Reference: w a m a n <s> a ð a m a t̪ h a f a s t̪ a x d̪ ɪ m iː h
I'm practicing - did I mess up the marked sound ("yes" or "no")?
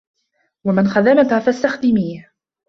yes